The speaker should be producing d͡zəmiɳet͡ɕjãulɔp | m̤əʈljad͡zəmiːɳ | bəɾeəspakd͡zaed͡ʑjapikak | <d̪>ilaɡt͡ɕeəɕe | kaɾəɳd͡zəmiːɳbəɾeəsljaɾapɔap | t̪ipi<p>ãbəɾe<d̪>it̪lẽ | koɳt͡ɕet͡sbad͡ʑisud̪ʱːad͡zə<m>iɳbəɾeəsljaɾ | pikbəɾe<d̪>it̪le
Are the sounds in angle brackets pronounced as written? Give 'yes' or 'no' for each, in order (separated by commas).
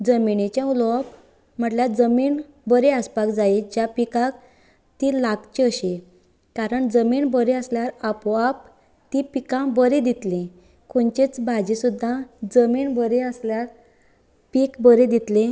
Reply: no, no, yes, yes, yes